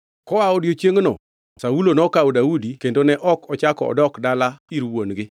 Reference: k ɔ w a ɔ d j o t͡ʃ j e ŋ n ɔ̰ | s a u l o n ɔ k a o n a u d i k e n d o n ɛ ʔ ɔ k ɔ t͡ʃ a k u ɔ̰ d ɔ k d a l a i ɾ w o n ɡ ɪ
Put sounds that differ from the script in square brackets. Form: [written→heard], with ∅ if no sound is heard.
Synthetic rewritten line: k ɔ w a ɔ d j o t͡ʃ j e ŋ n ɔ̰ | s a u l o n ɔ k a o [n→d] a u d i k e n d o n ɛ ʔ ɔ k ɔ t͡ʃ a k [u→ɔ] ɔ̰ d ɔ k d a l a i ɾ w o n ɡ ɪ